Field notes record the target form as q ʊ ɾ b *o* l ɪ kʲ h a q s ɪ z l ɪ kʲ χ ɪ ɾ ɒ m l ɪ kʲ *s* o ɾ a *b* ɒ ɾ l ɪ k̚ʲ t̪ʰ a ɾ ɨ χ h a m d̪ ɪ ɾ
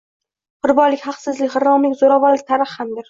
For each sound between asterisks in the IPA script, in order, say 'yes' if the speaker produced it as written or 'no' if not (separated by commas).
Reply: no, no, no